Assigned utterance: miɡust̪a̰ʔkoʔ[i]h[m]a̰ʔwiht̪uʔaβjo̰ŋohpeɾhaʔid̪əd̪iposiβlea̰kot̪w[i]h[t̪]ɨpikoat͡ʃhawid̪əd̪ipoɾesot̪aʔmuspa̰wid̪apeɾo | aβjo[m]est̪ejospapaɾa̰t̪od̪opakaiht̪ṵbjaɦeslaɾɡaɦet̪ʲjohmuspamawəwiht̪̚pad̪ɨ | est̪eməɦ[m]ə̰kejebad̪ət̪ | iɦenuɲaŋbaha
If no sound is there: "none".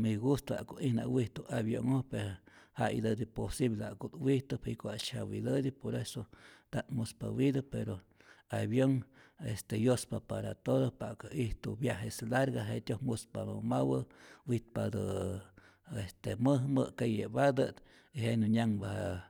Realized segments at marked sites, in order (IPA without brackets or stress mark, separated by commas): i, n, i, t̪, ŋ, m